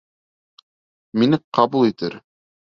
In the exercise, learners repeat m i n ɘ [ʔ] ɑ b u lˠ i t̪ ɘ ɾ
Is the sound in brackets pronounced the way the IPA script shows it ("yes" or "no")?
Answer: no